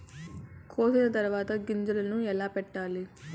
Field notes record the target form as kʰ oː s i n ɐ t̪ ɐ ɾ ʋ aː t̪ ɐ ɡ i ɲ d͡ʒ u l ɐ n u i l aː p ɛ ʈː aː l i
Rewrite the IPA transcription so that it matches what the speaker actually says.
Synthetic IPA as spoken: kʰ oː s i n ɐ t̪ ɐ ɾ ʋ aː t̪ ɐ ɡ i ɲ d͡ʒ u l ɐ n u ɛ l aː p ɛ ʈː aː l i